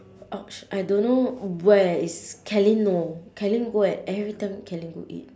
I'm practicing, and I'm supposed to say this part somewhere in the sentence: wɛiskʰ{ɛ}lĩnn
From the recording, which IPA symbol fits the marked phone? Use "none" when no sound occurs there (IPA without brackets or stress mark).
ɛ